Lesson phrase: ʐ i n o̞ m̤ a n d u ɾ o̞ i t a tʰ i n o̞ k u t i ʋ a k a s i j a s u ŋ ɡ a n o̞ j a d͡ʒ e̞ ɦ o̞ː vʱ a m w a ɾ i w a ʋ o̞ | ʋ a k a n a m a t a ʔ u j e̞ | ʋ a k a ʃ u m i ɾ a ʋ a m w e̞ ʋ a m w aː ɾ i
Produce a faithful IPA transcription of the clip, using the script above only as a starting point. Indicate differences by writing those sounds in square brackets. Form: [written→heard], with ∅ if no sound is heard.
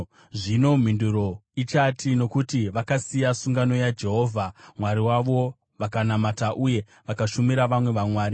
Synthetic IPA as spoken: ʐ i n o̞ m̤ [a→i] n d u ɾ o̞ i [t→t͡ʃ] a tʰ i n o̞ k u t i ʋ a k a s i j a s u ŋ ɡ a n o̞ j a d͡ʒ e̞ ɦ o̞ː vʱ a m w a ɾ i w a ʋ o̞ | ʋ a k a n a m a t a ʔ u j e̞ | ʋ a k a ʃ u m i ɾ a ʋ a m w e̞ ʋ a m w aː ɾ i